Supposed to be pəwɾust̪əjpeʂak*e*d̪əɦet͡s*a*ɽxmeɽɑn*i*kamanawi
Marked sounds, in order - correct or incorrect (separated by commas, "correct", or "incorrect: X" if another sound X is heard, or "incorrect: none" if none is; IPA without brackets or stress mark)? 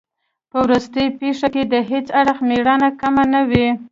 correct, correct, incorrect: a